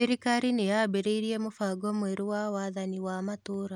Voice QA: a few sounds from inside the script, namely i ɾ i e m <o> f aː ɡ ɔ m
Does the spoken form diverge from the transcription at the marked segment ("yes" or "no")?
no